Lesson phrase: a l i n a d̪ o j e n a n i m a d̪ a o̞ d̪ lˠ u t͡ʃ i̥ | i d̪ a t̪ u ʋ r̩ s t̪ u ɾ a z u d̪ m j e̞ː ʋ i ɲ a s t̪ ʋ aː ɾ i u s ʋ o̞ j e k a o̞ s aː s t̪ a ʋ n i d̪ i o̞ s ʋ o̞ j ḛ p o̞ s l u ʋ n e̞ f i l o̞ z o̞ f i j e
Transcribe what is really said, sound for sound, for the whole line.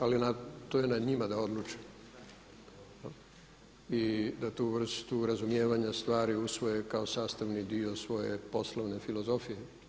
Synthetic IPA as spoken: a l i n a t̪ o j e n a ɲ i m a d̪ a o̞ d̪ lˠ u t͡ʃ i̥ | i d̪ a t̪ u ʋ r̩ s t̪ u ɾ a z u m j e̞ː ʋ a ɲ a s t̪ ʋ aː ɾ i u s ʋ o̞ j e k a o̞ s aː s t̪ a ʋ n i d̪ i o̞ s ʋ o̞ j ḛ p o̞ s l o ʋ n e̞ f i l o̞ z o̞ f i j e